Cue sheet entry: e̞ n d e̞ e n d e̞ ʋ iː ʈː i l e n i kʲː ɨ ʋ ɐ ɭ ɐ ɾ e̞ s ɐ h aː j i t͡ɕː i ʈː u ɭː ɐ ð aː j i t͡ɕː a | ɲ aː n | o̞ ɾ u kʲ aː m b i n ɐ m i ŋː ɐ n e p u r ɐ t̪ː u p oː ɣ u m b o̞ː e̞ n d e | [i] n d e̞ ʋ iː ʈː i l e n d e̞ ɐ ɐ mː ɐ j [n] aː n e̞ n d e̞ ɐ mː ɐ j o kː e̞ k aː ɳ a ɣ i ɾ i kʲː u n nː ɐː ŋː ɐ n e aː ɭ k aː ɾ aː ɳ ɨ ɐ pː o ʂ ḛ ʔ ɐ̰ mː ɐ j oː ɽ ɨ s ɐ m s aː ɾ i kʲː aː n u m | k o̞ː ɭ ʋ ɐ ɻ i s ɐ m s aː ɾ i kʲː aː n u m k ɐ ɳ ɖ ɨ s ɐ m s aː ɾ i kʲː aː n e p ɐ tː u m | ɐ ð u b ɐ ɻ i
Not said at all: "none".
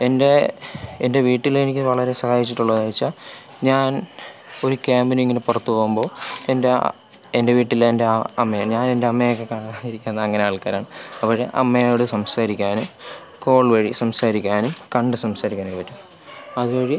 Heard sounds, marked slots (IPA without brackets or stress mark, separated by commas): e, ɲ